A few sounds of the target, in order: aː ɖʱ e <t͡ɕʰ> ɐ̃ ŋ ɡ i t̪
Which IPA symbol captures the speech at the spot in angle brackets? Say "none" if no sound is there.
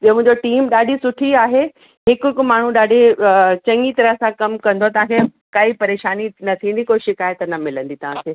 t͡ɕ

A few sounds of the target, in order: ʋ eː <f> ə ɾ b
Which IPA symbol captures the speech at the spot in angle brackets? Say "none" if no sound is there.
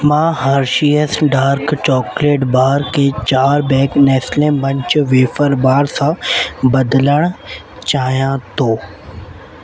f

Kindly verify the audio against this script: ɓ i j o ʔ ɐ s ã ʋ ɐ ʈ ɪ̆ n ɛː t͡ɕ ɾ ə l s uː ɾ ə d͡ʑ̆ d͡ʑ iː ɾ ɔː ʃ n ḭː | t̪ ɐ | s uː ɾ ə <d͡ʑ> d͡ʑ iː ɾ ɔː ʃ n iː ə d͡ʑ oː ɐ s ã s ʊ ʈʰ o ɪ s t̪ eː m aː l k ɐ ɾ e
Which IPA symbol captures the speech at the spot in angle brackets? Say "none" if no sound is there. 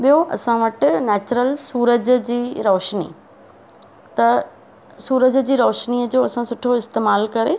d͡ʑ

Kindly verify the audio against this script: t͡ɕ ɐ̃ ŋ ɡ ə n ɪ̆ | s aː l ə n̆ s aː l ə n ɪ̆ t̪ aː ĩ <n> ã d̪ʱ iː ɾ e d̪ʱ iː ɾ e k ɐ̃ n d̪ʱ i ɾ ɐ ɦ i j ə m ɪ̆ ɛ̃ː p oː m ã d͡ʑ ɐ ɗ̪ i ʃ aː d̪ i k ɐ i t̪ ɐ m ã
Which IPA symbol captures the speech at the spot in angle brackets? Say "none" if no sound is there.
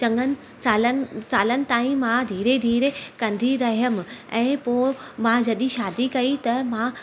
m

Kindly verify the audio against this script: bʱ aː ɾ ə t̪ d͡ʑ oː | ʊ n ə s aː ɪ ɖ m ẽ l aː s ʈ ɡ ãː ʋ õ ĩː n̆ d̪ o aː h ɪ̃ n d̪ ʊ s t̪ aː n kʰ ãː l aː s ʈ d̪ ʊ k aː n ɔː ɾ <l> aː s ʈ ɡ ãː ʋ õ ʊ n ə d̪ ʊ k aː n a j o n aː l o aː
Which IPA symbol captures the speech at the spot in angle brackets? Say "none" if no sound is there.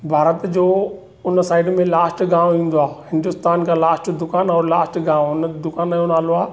l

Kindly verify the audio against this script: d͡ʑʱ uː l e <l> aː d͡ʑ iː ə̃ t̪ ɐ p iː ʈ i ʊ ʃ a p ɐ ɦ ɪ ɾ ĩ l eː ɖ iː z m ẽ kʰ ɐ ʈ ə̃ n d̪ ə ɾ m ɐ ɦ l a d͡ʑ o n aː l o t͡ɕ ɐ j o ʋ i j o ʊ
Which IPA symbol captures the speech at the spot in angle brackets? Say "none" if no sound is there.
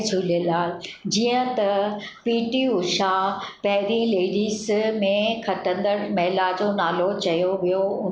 l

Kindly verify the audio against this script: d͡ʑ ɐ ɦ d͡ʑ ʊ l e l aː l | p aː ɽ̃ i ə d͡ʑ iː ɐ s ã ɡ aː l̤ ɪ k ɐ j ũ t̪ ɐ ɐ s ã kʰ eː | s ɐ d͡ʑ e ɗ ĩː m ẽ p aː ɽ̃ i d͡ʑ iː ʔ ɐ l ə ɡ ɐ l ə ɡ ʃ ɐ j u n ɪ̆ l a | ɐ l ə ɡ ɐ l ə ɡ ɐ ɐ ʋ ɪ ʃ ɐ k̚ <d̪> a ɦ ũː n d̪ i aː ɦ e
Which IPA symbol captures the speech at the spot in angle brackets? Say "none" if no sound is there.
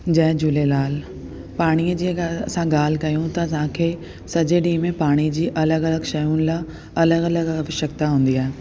t̪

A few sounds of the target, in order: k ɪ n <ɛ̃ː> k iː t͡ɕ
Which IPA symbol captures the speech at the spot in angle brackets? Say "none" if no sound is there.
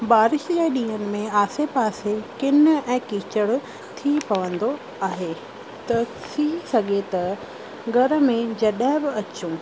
ɛ̃ː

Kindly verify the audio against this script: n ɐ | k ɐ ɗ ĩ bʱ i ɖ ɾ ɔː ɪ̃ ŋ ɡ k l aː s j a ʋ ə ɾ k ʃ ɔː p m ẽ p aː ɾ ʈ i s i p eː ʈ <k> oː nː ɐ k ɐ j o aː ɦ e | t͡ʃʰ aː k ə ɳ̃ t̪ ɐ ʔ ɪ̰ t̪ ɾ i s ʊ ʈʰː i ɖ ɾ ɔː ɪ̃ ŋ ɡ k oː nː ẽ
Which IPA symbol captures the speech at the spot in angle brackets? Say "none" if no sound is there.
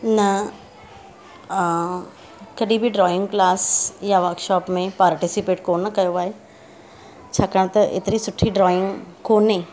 k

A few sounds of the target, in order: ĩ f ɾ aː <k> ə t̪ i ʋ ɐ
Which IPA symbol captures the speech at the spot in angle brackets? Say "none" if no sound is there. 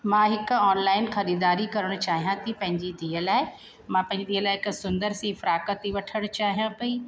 k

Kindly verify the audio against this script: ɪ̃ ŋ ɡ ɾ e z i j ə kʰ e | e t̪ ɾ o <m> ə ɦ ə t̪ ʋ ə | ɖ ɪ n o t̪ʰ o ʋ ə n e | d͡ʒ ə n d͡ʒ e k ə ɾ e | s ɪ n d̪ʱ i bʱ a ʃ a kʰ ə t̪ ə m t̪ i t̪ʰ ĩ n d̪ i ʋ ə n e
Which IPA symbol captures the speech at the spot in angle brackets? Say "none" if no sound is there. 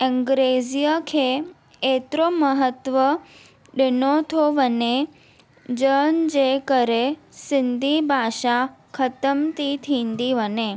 m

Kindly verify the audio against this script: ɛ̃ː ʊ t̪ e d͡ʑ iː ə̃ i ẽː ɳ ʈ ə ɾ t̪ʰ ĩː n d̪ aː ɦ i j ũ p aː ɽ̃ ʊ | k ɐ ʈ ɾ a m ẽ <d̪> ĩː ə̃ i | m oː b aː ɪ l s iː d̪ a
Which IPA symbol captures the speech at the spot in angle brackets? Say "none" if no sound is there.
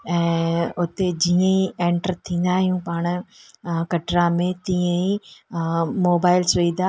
t̪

